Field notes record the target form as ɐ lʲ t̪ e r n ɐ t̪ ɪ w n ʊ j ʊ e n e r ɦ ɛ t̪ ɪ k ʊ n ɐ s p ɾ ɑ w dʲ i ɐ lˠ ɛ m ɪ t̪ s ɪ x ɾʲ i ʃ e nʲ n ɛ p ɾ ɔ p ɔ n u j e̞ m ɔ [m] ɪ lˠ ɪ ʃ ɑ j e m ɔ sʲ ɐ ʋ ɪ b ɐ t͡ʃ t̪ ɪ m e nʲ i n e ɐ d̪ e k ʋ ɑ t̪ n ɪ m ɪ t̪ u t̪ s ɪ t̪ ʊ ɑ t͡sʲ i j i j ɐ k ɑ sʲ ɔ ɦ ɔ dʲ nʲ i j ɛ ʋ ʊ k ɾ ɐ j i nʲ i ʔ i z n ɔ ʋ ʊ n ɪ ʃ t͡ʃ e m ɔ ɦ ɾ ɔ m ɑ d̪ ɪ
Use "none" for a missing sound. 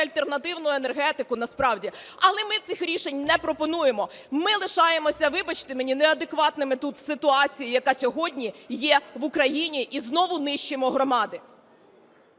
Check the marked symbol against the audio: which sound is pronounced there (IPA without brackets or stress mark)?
m